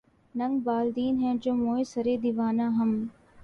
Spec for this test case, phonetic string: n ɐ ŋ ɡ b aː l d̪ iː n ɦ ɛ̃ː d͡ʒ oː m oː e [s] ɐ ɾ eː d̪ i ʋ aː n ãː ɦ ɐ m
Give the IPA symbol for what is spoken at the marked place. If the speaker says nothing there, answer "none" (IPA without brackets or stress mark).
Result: s